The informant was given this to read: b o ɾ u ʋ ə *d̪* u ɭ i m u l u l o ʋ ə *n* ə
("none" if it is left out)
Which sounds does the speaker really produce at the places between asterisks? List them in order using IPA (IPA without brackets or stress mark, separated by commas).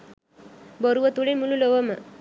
t̪, m